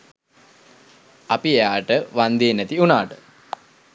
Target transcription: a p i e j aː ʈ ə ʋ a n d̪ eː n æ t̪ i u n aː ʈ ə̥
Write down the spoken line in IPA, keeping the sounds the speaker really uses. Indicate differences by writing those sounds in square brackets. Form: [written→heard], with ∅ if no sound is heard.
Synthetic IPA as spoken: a p i e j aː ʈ ə ʋ a n d̪ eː n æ t̪ i u n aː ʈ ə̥